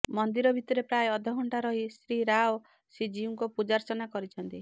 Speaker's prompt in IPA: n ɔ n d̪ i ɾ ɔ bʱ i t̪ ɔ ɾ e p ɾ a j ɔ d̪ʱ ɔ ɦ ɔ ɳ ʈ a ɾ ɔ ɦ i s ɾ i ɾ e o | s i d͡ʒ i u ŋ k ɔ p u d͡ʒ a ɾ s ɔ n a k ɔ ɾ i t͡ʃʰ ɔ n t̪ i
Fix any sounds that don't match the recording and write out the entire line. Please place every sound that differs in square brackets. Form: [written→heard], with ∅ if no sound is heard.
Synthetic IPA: [n→m] ɔ n d̪ i ɾ ɔ bʱ i t̪ ɔ ɾ e p ɾ a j ɔ d̪ʱ ɔ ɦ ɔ ɳ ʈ a ɾ ɔ ɦ i s ɾ i ɾ [e→a] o | s i d͡ʒ i u ŋ k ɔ p u d͡ʒ a ɾ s ɔ n a k ɔ ɾ i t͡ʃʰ ɔ n t̪ i